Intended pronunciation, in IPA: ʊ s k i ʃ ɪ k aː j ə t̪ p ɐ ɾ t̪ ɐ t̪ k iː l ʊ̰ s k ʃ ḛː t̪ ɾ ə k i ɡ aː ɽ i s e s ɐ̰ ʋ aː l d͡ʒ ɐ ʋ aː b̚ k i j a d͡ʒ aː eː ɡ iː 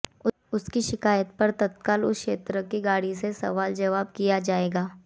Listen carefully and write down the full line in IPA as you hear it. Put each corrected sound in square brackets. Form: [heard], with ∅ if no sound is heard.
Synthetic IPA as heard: ʊ s k i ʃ ɪ k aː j ə t̪ p ɐ ɾ t̪ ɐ t̪ k [aː] l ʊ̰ s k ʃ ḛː t̪ ɾ ə k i ɡ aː ɽ i s e s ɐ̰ ʋ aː l d͡ʒ ɐ ʋ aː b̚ k i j a d͡ʒ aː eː ɡ [aː]